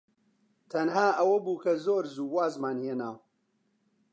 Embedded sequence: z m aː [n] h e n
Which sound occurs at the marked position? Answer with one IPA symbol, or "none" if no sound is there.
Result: n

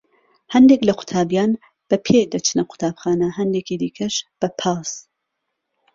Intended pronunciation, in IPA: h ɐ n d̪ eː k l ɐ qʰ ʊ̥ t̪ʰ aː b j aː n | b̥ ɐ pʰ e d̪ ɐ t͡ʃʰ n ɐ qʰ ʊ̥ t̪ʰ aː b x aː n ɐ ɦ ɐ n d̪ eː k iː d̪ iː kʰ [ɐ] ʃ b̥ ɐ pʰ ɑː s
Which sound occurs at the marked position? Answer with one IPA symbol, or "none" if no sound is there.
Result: ɐ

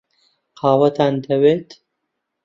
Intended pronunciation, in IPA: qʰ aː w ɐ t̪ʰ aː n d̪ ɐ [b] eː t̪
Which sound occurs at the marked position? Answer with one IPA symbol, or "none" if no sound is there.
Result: w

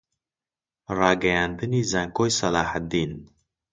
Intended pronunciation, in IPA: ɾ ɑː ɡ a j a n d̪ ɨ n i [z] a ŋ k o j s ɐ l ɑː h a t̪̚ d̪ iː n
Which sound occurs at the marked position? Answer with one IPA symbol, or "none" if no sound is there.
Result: z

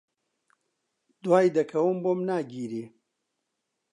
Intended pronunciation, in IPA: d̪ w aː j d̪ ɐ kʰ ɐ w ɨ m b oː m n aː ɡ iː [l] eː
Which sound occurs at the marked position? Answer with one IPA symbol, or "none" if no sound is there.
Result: ɾ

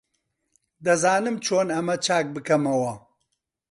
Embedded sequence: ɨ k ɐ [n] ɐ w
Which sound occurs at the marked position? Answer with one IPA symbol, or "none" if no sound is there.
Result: m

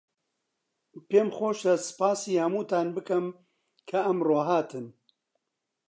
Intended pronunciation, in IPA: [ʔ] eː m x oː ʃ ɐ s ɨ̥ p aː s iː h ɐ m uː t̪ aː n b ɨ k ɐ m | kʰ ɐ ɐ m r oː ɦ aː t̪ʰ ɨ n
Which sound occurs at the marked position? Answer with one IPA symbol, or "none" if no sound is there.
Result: p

